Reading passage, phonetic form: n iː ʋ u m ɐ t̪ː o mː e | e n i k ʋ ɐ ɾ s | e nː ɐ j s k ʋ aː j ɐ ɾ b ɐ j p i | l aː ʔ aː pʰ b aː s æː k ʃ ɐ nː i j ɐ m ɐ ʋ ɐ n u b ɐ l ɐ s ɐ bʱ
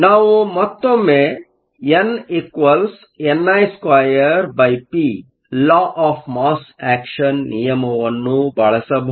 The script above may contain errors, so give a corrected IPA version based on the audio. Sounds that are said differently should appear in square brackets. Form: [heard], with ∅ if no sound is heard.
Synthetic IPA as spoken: n [aː] ʋ u m ɐ t̪ː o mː e | e n i k ʋ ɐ [l] s | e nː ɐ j s k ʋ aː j ɐ ɾ b ɐ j p i | l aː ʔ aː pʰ [m] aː s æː k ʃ ɐ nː i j ɐ m ɐ ʋ ɐ [nː] u b ɐ [ɭ] ɐ s ɐ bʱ

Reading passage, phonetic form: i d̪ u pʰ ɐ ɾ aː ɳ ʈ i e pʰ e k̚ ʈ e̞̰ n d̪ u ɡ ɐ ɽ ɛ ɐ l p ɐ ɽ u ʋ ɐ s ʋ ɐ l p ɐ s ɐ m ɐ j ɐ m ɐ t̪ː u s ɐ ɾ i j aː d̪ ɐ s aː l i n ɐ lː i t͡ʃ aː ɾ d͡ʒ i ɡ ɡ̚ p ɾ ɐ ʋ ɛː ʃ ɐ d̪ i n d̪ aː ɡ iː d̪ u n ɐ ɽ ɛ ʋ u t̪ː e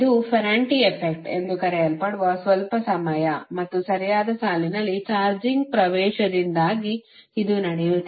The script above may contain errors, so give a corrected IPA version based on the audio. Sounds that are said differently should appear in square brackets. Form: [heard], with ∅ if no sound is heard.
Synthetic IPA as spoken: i d̪ u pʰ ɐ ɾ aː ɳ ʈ i e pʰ e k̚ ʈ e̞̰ n d̪ u [k] ɐ [ɾ] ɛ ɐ l p ɐ ɽ u ʋ ɐ s ʋ ɐ l p ɐ s ɐ m ɐ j ɐ m ɐ t̪ː u s ɐ ɾ i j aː d̪ ɐ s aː l i n ɐ lː i t͡ʃ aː ɾ d͡ʒ i [ŋ] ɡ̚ p ɾ ɐ ʋ ɛː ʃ ɐ d̪ i n d̪ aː ɡ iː d̪ u n ɐ ɽ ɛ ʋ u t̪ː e

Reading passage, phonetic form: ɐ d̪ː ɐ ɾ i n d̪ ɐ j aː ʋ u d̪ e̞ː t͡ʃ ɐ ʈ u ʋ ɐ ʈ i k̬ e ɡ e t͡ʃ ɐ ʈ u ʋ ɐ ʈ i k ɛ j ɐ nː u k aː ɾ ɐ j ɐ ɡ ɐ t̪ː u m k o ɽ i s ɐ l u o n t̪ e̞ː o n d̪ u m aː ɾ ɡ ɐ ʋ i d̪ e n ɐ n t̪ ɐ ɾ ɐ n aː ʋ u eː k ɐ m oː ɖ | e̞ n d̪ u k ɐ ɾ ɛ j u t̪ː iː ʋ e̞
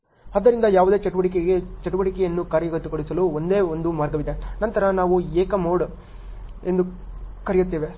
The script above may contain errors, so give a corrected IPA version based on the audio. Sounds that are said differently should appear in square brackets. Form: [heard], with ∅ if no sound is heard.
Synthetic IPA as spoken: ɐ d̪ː ɐ ɾ i n d̪ ɐ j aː ʋ u d̪ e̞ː t͡ʃ ɐ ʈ u ʋ ɐ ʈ i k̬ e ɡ e t͡ʃ ɐ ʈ u ʋ ɐ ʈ i k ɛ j ɐ nː u k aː ɾ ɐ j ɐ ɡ ɐ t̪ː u [∅] k o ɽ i s ɐ l u o n [d̪] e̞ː o n d̪ u m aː ɾ ɡ ɐ ʋ i d̪ e n ɐ n t̪ ɐ ɾ ɐ n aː ʋ u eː k ɐ m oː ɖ | e̞ n d̪ u k ɐ ɾ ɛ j u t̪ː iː ʋ e̞

